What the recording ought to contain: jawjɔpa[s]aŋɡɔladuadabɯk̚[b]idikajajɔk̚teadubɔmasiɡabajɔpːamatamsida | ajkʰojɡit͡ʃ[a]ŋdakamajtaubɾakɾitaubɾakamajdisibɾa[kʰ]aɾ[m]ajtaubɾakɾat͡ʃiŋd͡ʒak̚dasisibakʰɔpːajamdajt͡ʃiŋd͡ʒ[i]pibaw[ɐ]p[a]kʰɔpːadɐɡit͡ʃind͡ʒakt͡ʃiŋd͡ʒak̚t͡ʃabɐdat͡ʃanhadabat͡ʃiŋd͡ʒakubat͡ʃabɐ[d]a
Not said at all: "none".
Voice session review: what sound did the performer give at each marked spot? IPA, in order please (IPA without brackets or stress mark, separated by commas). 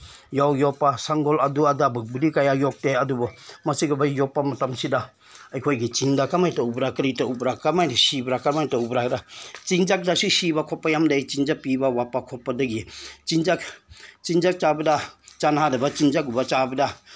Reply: s, b, i, k, m, a, a, a, d